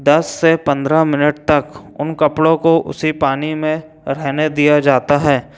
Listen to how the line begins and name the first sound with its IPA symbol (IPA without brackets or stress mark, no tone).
d̪